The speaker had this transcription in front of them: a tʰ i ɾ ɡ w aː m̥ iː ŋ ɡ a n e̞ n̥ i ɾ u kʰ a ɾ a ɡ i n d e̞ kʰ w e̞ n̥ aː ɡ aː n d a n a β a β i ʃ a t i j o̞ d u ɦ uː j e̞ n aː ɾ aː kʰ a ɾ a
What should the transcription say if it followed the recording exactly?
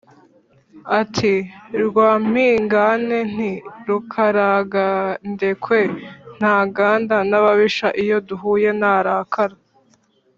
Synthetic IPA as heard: a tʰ i ɾ ɡ w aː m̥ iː ŋ ɡ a n e̞ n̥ i ɾ u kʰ a ɾ a ɡ a n d e̞ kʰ w e̞ n̥ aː ɡ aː n d a n a β a β i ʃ a ʔ i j o̞ d u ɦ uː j e̞ n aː ɾ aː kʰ a ɾ a

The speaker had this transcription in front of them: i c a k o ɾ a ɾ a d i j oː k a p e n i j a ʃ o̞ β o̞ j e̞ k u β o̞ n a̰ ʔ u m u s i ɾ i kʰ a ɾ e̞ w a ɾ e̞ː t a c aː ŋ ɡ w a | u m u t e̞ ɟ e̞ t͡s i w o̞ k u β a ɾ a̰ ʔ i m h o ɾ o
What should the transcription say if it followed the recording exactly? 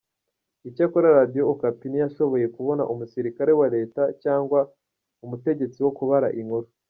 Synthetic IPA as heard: i c a k o ɾ a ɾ a d i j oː k a p i n i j a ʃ o̞ β o̞ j e̞ k u β o̞ n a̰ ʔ u m u s i ɾ i k a ɾ e̞ w a ɾ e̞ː t a c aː ŋ ɡ w a | u m u t e̞ ɟ e̞ t͡s i w o̞ k u β a ɾ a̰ ʔ i ŋ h o ɾ o

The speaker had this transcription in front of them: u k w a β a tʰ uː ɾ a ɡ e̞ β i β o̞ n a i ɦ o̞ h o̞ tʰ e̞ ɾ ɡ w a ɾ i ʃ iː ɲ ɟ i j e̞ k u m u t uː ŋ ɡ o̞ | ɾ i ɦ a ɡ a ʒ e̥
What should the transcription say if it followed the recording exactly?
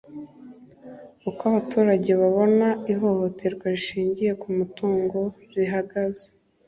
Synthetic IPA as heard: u k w a β a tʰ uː ɾ a ɟ e̞ β a β o̞ n a i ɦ o̞ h o̞ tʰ e̞ ɾ ɡ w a ɾ i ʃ iː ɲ ɟ i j e̞ k u m u t uː ŋ ɡ o̞ | ɾ i ɦ a ɡ a z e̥

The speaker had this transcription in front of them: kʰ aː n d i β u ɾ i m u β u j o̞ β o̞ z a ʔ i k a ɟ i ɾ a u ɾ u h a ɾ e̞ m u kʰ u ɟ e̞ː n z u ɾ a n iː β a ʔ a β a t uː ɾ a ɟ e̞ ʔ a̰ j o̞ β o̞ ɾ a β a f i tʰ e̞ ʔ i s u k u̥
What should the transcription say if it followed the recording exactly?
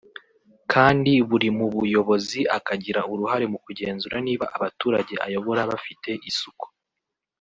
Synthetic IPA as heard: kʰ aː n d i β u ɾ i m u β u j o̞ β o̞ z i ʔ a k a ɟ i ɾ a u ɾ u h a ɾ e̞ m u k u ɟ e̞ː n z u ɾ a n iː β a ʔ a β a t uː ɾ a ɟ e̞ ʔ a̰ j o̞ β o̞ ɾ a β a f i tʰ e̞ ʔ i s u k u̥

